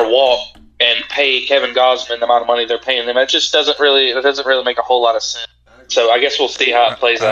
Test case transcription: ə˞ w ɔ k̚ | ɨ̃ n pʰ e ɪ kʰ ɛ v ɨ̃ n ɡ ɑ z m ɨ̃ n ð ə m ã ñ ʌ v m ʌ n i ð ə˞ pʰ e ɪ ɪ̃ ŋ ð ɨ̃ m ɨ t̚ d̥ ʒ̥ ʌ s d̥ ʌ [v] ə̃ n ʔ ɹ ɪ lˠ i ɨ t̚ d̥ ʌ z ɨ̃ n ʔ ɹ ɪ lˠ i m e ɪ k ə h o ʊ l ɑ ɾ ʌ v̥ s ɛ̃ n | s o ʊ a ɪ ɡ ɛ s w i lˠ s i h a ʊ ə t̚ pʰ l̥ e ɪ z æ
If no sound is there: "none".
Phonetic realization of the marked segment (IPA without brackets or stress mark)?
z